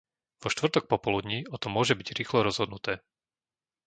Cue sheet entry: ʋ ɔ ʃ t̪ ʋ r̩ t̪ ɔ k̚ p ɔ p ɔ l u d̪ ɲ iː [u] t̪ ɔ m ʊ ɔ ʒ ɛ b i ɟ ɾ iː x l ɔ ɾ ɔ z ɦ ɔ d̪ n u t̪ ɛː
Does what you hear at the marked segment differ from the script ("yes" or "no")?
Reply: yes